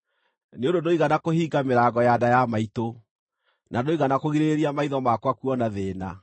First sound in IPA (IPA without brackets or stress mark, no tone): n